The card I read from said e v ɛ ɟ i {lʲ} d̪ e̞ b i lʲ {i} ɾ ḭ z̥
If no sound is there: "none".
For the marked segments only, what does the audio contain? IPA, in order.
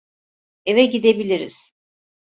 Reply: none, i

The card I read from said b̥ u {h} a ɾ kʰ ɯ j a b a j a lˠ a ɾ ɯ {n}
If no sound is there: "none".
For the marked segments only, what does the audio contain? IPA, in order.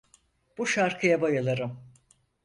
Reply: ʃ, m

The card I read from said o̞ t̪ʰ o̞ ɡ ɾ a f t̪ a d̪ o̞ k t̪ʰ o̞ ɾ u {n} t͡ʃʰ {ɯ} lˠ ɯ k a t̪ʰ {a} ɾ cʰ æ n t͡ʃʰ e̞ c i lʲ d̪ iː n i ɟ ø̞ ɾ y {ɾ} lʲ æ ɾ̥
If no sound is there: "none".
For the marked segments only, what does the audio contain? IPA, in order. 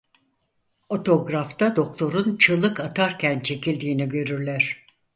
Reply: n, ɯ, a, ɾ

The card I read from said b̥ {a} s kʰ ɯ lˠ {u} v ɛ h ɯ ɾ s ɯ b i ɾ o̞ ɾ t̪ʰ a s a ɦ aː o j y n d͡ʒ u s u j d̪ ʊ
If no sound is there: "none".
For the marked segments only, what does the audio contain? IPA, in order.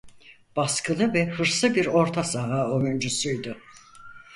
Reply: a, ɯ

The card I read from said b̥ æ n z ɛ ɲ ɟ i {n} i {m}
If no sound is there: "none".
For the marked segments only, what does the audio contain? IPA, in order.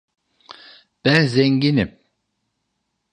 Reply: n, m

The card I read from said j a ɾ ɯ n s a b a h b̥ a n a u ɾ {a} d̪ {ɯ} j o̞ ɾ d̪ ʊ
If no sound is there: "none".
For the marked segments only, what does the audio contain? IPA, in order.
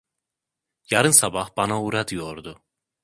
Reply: a, ɯ

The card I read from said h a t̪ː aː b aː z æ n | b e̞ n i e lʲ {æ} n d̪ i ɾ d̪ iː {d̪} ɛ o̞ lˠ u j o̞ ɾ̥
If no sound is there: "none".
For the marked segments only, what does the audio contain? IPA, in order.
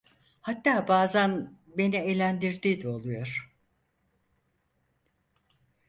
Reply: æ, d̪

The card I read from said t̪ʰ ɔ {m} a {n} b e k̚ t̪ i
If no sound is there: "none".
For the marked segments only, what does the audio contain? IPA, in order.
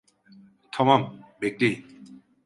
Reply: m, m

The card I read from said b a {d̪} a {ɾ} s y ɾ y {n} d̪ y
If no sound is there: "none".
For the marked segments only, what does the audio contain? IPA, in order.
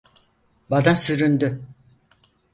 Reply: d̪, none, n

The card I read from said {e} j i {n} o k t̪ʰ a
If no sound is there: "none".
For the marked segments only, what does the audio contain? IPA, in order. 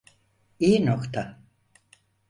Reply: i, n

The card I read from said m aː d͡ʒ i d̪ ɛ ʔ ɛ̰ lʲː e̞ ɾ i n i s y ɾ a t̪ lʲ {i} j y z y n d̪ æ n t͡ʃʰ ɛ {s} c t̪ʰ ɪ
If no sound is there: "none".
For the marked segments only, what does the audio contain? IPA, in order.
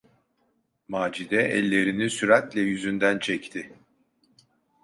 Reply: ɛ, none

